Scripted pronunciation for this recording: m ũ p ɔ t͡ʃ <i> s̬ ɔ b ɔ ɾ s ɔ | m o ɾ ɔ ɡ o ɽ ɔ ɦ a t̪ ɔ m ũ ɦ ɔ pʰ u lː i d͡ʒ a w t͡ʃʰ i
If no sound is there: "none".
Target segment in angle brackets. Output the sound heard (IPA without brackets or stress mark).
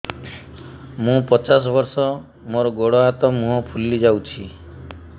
a